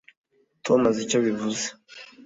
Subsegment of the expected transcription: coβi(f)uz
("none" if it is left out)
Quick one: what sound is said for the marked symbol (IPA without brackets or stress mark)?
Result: v